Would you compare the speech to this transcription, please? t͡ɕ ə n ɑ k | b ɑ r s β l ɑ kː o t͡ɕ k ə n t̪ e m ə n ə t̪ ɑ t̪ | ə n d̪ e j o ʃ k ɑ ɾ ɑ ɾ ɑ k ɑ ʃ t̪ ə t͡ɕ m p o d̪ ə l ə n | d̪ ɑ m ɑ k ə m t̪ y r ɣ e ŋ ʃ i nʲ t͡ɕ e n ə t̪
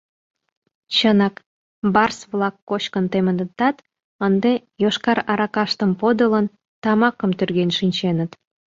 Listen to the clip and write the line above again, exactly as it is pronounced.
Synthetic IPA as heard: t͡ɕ ə n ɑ k | b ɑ r s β l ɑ kː o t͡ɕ k ə n t̪ e m ə n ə t̪ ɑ t̪ | ə n d̪ e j o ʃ k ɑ ɾ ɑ ɾ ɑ k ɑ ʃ t̪ ə m p o d̪ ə l ə n | t̪ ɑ m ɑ k ə m t̪ y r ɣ e n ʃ i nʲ t͡ɕ e n ə t̪